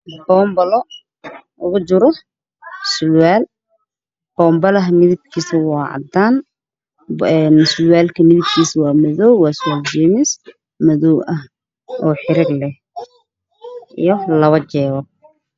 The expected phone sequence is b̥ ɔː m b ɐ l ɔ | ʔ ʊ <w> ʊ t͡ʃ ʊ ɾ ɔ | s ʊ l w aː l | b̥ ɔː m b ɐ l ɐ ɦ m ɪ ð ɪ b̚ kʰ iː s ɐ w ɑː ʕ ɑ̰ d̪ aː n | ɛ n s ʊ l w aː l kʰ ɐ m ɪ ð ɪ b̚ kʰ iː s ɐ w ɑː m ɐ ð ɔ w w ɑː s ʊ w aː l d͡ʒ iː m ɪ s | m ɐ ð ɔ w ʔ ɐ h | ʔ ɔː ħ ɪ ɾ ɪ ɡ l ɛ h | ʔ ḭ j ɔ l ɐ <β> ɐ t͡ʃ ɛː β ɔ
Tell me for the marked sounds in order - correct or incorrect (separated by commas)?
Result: incorrect, correct